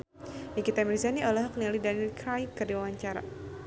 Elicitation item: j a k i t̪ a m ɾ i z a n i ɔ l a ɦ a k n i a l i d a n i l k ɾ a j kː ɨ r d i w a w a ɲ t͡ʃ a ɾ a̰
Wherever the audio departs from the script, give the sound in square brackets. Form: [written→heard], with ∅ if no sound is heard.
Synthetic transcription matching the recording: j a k i t̪ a m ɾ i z a n i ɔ l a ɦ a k n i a l i d a n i l k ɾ a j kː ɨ r d i w a w a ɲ t͡ʃ a ɾ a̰